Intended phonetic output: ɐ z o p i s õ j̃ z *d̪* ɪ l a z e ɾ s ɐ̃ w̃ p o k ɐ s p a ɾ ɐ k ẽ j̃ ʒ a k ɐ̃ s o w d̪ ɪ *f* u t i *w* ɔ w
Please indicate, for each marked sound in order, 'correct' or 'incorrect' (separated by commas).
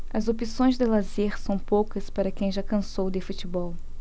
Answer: correct, correct, incorrect